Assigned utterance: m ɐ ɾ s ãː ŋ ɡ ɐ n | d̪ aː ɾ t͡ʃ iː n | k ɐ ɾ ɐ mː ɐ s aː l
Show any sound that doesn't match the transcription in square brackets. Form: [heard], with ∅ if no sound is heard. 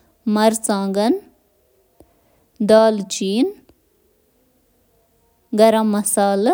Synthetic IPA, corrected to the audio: m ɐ ɾ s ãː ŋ ɡ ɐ n | d̪ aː [l] t͡ʃ iː n | [ɡ] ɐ ɾ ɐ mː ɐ s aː l